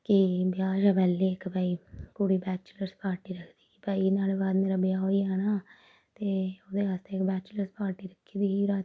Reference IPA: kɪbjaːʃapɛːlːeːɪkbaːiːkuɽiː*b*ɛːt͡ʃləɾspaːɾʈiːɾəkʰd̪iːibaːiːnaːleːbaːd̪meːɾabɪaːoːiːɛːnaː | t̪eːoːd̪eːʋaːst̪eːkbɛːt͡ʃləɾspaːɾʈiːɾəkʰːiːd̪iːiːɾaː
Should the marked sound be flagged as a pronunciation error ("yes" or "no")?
no